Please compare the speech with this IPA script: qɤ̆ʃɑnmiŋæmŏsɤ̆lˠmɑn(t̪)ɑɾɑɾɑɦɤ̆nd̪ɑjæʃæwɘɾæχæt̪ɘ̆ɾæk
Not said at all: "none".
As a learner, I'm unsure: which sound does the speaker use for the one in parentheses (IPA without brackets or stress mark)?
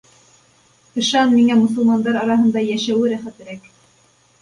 d̪